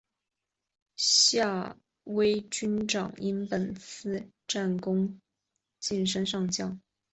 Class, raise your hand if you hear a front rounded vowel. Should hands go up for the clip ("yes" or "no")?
yes